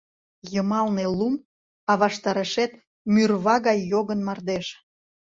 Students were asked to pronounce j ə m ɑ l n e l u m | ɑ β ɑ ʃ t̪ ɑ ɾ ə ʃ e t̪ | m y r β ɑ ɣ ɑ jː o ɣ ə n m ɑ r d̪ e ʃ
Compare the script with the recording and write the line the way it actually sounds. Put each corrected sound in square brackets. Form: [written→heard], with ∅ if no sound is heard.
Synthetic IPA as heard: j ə m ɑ l n e l u m | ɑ β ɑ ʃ t̪ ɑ ɾ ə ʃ e t̪ | m y r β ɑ ɣ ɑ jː o ɣ ə n m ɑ r d̪ e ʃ